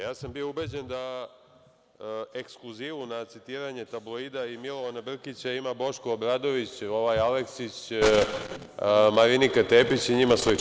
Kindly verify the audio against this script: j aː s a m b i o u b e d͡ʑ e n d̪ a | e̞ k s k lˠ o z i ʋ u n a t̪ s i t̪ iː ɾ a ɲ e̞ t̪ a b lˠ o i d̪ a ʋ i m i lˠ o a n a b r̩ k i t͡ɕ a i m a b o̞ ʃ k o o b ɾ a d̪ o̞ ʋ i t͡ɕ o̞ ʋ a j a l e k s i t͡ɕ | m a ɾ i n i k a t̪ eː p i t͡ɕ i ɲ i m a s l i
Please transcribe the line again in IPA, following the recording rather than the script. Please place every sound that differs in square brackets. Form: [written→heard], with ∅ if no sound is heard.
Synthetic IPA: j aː s a m b i o u b e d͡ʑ e n d̪ a | e̞ k s k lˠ [o→u] z i ʋ u n a t̪ s i t̪ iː ɾ a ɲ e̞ t̪ a b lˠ o i d̪ a [ʋ→∅] i m i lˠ o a n a b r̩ k i t͡ɕ a i m a b o̞ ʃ k o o b ɾ a d̪ o̞ ʋ i t͡ɕ o̞ ʋ a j a l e k s i t͡ɕ | m a ɾ i n i k a t̪ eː p i t͡ɕ i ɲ i m a s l i